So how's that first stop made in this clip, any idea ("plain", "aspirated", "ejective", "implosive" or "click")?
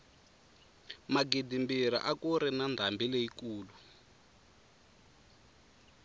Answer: plain